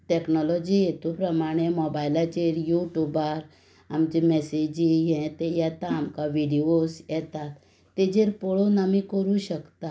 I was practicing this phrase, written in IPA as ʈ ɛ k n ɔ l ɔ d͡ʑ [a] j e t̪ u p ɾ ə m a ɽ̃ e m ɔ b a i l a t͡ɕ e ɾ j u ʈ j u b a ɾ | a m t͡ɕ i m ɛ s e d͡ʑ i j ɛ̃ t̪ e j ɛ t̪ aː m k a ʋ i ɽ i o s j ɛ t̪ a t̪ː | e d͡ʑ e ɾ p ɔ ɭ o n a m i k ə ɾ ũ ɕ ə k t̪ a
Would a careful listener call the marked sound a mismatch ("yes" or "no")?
yes